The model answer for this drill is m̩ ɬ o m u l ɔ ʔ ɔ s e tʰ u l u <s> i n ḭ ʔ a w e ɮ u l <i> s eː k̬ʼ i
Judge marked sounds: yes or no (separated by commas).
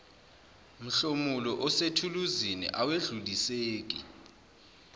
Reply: no, yes